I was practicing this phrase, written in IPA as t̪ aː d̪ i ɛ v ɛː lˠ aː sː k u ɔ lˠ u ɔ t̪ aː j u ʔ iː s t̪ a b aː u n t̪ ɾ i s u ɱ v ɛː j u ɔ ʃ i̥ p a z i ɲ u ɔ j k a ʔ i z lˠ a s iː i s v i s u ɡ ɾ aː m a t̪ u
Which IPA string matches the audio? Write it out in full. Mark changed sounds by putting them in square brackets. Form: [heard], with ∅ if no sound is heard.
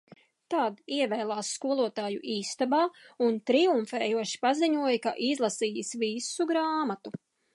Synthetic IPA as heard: t̪ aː d̪ i ɛ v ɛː lˠ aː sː k u ɔ lˠ u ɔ t̪ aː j u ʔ iː s t̪ a b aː u n t̪ ɾ i [∅] u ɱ [f] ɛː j u ɔ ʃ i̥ p a z i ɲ u ɔ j k a ʔ i z lˠ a s iː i s v i s u ɡ ɾ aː m a t̪ u